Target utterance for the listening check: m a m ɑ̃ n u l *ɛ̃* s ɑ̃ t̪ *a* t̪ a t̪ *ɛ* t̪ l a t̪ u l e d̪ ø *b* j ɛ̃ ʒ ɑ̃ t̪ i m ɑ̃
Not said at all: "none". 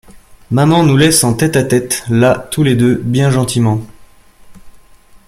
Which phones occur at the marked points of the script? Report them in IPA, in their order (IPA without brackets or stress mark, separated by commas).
ɛ, ɛ, ɛ, b